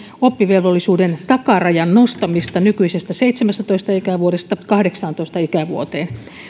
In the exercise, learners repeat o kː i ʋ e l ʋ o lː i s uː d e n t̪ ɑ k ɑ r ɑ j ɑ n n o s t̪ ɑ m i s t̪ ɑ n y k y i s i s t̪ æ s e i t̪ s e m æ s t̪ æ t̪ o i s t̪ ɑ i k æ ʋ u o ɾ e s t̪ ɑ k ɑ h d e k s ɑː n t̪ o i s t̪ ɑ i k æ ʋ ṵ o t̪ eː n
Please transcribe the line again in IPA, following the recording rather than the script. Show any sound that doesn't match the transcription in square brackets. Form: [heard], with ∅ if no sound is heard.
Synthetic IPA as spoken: o [pː] i ʋ e l ʋ o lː i s uː d e n t̪ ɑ k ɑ r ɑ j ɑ n n o s t̪ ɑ m i s t̪ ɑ n y k y i s [e] s t̪ æ s e i t̪ s e m æ s t̪ æ t̪ o i s t̪ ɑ i k æ ʋ u o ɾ e s t̪ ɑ k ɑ h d e k s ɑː n t̪ o i s t̪ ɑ i k æ ʋ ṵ o t̪ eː n